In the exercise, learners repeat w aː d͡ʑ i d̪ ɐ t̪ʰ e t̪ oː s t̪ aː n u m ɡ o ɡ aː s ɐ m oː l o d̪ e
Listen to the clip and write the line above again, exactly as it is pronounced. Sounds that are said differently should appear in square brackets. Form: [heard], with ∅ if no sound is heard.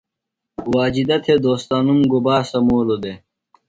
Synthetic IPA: w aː d͡ʑ i d̪ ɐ t̪ʰ e [d̪] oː s t̪ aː n u m ɡ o [b] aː s ɐ m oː l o d̪ e

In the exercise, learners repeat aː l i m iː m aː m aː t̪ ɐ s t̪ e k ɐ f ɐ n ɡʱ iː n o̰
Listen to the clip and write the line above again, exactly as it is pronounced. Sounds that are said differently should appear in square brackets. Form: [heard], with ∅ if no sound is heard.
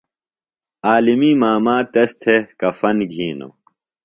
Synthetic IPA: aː l i m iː m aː m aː t̪ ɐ s [t̪ʰ] e k ɐ f ɐ n ɡʱ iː n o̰

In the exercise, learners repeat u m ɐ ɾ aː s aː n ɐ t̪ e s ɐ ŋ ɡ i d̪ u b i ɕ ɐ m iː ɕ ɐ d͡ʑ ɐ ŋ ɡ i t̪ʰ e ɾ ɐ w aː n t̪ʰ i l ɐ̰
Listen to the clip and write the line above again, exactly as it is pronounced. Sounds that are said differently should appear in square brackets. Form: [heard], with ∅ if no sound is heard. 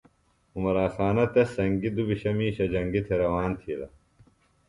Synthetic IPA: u m ɐ ɾ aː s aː n ɐ t̪ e s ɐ ŋ ɡ i d̪ u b i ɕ ɐ m iː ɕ ɐ d͡ʑ ɐ ŋ ɡ i t̪ʰ e ɾ ɐ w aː n t̪ʰ i l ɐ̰

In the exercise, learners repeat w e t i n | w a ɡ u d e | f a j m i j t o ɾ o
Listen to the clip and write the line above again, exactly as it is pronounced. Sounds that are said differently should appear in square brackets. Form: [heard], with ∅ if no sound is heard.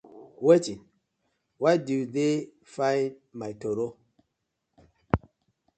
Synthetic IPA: w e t i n | w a [d] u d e | f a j m [a] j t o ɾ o

